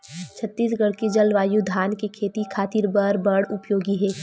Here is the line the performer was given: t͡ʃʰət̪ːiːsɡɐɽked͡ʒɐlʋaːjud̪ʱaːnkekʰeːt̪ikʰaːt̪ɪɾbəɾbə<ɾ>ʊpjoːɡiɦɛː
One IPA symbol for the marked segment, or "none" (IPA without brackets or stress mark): ɽ